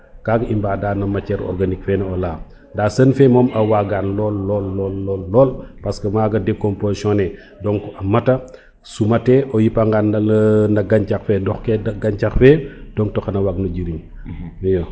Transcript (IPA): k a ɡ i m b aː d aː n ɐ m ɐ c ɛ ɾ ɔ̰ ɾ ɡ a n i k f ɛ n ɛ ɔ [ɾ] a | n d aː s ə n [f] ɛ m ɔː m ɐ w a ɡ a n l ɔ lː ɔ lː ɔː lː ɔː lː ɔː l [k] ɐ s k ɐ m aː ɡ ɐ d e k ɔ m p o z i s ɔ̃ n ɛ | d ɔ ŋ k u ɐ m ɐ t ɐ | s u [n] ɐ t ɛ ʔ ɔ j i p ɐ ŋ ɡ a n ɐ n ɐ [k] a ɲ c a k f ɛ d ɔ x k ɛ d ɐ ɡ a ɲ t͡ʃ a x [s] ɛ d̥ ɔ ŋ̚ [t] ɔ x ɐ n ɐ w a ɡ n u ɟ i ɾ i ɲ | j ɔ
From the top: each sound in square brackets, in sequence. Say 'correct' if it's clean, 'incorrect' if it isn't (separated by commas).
incorrect, correct, incorrect, incorrect, incorrect, incorrect, correct